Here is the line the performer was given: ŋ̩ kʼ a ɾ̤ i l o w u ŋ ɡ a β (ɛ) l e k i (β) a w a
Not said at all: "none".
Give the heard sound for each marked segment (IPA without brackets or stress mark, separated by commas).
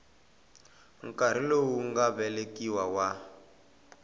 ɛ, w